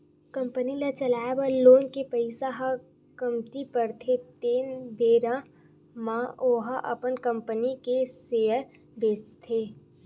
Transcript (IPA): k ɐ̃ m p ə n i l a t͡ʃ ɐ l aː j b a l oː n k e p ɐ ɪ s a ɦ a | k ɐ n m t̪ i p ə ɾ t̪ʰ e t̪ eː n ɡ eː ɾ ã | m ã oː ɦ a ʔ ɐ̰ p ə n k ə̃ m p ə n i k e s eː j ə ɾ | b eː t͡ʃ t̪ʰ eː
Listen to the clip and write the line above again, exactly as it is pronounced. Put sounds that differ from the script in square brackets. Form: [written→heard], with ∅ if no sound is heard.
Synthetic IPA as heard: k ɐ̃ m p ə n i l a t͡ʃ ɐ l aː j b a l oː n k e p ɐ ɪ s a ɦ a | k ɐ [n→∅] m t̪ i p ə ɾ t̪ʰ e t̪ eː n [ɡ→b] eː ɾ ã | m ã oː ɦ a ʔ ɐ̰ p ə n k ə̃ m p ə n i k e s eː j ə ɾ | b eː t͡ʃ t̪ʰ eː